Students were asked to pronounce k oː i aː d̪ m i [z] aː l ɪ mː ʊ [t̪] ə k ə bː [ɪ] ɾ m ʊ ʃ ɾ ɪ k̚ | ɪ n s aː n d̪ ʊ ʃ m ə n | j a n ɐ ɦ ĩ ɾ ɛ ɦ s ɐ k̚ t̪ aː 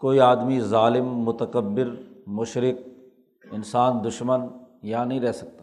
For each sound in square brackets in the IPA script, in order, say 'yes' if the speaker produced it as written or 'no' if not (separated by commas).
yes, yes, yes